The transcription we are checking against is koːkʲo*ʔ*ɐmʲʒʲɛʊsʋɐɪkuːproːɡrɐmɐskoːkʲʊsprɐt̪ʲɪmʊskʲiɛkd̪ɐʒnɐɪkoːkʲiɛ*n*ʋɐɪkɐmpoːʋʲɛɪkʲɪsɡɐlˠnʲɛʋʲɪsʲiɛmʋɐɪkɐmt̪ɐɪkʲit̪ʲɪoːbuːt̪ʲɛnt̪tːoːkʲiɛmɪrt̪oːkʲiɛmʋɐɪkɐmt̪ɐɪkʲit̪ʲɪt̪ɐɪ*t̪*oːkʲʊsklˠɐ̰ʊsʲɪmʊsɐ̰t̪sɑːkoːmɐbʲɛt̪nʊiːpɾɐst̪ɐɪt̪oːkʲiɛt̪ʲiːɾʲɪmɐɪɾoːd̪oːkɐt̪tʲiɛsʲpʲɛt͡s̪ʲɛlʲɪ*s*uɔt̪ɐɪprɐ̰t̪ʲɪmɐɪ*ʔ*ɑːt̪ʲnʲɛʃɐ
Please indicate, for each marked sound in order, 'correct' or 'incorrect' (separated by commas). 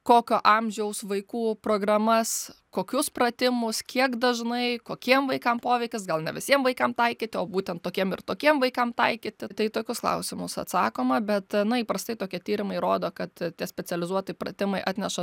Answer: correct, incorrect, correct, incorrect, correct